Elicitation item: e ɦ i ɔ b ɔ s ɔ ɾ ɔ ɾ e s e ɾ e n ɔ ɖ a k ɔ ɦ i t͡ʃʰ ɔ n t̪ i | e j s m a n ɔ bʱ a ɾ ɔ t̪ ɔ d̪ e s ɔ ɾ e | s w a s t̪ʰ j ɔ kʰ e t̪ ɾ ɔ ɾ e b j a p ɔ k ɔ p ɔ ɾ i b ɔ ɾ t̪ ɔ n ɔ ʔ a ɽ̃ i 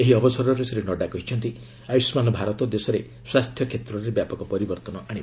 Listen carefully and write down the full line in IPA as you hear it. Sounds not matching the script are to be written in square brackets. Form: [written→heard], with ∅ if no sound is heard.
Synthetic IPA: e ɦ i ɔ b ɔ s ɔ ɾ ɔ ɾ e s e ɾ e n ɔ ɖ a k ɔ ɦ i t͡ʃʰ ɔ n t̪ i | [e→a] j s m a n ɔ bʱ a ɾ ɔ t̪ ɔ d̪ e s ɔ ɾ e | s w a s t̪ʰ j ɔ kʰ e t̪ ɾ ɔ ɾ e b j a p ɔ k ɔ p ɔ ɾ i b ɔ ɾ t̪ ɔ n ɔ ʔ a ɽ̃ i